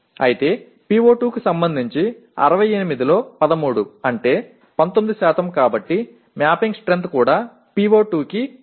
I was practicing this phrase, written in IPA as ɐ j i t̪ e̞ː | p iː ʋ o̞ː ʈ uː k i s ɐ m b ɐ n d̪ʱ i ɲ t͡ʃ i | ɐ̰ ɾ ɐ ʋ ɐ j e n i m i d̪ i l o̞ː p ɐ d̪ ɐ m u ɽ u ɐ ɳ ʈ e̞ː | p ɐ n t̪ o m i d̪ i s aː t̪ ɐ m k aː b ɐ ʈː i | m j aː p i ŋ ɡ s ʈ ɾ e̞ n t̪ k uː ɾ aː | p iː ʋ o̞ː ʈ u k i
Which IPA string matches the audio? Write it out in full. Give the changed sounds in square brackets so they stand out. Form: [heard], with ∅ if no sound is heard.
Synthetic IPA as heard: ɐ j i t̪ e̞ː | p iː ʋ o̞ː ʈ uː k i s ɐ m b ɐ n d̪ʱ i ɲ t͡ʃ i | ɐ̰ ɾ ɐ ʋ ɐ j e n i m i d̪ i l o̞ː p ɐ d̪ ɐ m [uː] ɽ u ɐ ɳ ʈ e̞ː | p ɐ n t̪ o m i d̪ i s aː t̪ ɐ m k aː b ɐ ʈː i | m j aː p i ŋ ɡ s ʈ ɾ e̞ n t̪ k uː [ɽ] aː | p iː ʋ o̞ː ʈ [uː] k i